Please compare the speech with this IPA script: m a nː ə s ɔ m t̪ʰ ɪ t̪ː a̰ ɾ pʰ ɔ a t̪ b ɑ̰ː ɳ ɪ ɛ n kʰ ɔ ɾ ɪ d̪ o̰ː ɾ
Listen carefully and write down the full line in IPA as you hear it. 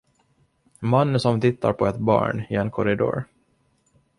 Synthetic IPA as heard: m a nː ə s ɔ m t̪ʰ ɪ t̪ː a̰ ɾ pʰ ɔ ɛ t̪ b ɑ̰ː ɳ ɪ ɛ n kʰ ɔ ɾ ɪ d̪ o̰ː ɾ